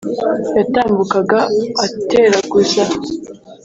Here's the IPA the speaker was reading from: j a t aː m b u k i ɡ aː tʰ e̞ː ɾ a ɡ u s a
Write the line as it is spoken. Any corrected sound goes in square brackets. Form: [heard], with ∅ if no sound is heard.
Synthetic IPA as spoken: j a t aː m b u k [a] ɡ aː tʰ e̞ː ɾ a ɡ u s a